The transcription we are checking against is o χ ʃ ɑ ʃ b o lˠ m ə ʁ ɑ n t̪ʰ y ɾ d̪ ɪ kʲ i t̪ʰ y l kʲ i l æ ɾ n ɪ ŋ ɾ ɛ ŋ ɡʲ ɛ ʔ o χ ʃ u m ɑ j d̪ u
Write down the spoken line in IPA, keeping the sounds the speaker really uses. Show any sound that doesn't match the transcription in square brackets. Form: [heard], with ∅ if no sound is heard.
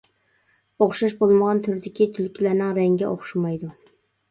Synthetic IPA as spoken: o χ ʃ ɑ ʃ b o lˠ m ə ʁ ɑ n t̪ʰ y ɾ d̪ ɪ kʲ i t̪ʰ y l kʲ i l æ ɾ n ɪ ŋ ɾ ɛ ŋ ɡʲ ɛ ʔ o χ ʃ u m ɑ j d̪ u

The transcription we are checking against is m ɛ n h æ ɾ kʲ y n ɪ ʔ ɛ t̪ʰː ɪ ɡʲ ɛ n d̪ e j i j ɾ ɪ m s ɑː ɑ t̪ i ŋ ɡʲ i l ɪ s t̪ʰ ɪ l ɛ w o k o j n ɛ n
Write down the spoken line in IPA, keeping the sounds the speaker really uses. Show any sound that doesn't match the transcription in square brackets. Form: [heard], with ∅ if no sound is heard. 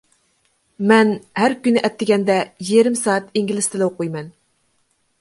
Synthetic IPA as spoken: m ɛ n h æ ɾ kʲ y n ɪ ʔ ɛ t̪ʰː ɪ ɡʲ ɛ n d̪ [ɛ] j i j ɾ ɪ m s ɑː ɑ t̪ i ŋ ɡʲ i l ɪ s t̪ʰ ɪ l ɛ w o [q] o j [m] ɛ n

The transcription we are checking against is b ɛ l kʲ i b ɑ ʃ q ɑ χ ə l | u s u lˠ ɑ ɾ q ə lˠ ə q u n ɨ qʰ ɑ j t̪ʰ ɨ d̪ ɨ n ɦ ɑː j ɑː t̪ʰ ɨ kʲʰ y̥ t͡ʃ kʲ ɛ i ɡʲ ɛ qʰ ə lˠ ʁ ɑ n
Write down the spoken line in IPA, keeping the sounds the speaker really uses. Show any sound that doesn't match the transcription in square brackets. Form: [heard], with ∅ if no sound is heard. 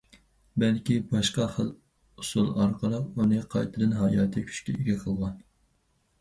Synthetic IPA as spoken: b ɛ l kʲ i b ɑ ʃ q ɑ χ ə l | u s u lˠ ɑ ɾ q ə lˠ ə q u n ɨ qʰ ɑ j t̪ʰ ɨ d̪ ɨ n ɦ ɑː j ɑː t̪ʰ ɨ kʲʰ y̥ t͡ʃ kʲ ɛ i ɡʲ ɛ qʰ ə lˠ ʁ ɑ n

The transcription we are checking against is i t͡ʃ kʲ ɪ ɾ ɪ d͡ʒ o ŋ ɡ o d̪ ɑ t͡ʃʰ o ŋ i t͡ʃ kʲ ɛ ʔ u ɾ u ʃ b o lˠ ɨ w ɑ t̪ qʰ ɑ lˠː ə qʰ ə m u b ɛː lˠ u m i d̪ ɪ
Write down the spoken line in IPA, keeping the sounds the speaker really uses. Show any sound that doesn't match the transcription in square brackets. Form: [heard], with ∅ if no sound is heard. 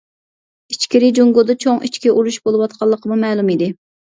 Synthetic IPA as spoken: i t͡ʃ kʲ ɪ ɾ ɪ d͡ʒ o ŋ ɡ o d̪ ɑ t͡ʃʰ o ŋ i t͡ʃ kʲ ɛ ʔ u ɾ u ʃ b o lˠ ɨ w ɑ t̪ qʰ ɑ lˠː ə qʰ ə m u [m] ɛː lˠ u m i d̪ ɪ

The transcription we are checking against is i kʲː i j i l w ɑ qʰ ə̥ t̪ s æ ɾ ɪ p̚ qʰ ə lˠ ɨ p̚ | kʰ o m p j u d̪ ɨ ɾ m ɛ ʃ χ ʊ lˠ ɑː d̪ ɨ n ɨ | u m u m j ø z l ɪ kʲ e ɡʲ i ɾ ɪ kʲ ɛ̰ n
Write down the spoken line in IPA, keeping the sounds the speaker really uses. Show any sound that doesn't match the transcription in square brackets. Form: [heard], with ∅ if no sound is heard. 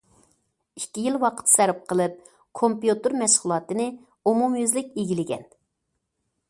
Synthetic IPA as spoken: i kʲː i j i l w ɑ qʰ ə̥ t̪ s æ ɾ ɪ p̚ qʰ ə lˠ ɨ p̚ | kʰ o m p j u [t̪] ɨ ɾ m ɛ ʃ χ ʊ lˠ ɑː [t̪] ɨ n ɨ | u m u m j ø z l ɪ kʲ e ɡʲ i [l] ɪ [ɡʲ] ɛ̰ n

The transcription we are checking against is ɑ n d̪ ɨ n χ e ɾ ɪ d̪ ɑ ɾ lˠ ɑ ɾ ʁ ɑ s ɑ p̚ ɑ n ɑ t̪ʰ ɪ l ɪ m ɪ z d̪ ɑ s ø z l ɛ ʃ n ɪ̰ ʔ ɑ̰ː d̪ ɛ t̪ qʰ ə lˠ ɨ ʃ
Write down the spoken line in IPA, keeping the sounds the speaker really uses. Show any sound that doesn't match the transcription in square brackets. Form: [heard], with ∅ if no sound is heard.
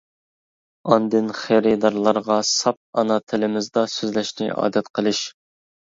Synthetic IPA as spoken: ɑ n d̪ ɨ n χ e ɾ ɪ d̪ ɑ ɾ lˠ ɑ ɾ ʁ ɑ s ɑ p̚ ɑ n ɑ t̪ʰ ɪ l ɪ m ɪ z d̪ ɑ s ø z l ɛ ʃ n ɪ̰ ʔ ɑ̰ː d̪ ɛ t̪ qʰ ə lˠ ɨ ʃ

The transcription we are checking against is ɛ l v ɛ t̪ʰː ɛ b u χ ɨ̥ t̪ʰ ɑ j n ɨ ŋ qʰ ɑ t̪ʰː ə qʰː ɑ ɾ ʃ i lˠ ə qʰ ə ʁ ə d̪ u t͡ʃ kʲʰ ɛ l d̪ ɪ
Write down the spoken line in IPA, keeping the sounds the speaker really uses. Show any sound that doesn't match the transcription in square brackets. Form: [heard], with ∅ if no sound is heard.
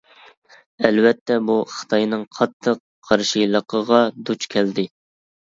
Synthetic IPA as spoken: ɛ l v ɛ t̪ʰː ɛ b u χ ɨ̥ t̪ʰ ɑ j n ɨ ŋ qʰ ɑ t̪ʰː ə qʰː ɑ ɾ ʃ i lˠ ə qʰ ə ʁ [ɑ] d̪ u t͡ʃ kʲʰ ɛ l d̪ ɪ

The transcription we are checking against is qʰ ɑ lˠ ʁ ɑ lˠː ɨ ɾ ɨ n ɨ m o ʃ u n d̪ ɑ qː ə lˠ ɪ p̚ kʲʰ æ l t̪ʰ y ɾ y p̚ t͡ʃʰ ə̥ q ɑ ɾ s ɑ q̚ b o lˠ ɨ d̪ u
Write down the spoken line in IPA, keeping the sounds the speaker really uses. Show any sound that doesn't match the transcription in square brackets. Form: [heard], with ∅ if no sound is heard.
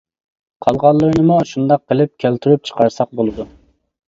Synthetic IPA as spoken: qʰ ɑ lˠ ʁ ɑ lˠː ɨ ɾ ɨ n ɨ m [u] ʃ u n d̪ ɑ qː ə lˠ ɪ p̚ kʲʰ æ l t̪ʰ y ɾ y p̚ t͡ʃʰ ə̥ q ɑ ɾ s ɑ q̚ b o lˠ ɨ d̪ u

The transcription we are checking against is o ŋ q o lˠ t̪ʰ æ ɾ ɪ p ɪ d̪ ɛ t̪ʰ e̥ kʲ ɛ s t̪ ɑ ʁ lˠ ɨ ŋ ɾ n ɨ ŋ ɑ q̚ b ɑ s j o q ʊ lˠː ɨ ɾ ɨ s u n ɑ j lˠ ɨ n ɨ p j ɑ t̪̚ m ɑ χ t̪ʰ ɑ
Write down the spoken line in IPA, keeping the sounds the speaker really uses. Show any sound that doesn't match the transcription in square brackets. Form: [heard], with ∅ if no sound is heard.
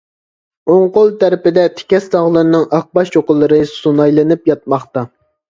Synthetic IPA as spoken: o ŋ q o lˠ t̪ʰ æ ɾ ɪ p ɪ d̪ ɛ t̪ʰ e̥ kʲ ɛ s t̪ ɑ ʁ lˠ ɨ [∅] ɾ n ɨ ŋ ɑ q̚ b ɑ [ʃ] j o q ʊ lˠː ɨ ɾ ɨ s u n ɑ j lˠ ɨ n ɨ p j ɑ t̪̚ m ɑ χ [t̪] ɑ

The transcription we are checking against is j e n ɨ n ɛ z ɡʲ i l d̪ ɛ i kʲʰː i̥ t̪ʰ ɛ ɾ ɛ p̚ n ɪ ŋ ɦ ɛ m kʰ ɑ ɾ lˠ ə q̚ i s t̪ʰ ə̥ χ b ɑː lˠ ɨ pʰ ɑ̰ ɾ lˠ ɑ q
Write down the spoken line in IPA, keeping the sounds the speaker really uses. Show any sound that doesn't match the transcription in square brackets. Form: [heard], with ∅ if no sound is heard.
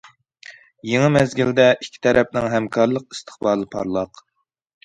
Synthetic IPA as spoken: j e [ŋ] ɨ [m] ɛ z ɡʲ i l d̪ ɛ i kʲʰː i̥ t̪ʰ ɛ ɾ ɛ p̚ n ɪ ŋ ɦ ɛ m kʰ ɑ ɾ lˠ ə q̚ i s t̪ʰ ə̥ χ b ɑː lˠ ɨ pʰ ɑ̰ ɾ lˠ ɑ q

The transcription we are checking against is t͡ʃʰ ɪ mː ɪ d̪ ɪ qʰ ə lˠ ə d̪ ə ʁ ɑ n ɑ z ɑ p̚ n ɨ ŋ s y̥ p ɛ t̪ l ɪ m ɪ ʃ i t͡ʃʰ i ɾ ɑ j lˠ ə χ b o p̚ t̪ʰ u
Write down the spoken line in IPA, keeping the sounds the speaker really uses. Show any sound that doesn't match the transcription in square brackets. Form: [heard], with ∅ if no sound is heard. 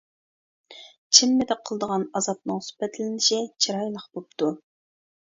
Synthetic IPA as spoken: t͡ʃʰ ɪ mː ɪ d̪ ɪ qʰ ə lˠ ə d̪ ə ʁ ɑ n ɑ z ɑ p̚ n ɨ ŋ s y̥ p ɛ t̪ l ɪ [n] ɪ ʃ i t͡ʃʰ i ɾ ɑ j lˠ ə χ b o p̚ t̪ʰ u

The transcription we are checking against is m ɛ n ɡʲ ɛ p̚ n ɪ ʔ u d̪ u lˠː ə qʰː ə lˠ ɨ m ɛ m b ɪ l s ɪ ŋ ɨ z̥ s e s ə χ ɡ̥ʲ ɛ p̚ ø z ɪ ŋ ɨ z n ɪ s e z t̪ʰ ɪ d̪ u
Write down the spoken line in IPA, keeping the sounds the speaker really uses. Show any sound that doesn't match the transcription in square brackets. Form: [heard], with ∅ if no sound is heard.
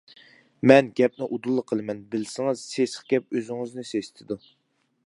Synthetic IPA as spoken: m ɛ n ɡʲ ɛ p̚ n ɪ ʔ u d̪ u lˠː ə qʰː ə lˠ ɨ m ɛ [n] b ɪ l s ɪ ŋ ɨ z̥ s e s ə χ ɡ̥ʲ ɛ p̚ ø z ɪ ŋ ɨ z n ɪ s e [s] t̪ʰ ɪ d̪ u

